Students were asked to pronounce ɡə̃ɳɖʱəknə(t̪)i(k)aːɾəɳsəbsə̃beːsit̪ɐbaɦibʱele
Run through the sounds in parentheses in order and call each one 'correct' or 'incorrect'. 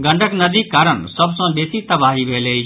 incorrect: d̪, correct

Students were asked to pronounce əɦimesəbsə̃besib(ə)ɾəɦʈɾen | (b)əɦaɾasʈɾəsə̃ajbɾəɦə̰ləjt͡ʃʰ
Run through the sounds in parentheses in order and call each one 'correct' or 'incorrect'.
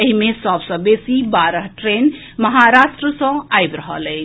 incorrect: a, incorrect: m

